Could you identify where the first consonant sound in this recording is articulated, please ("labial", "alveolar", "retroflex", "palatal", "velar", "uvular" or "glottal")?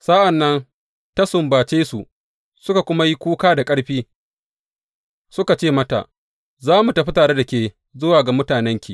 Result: alveolar